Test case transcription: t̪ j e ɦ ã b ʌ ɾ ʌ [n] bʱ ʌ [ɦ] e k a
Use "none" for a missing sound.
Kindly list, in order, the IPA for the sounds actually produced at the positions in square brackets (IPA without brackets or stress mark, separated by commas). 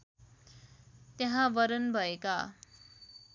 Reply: n, none